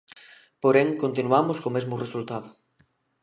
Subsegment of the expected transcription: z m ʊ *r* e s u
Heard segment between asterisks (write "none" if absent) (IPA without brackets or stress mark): r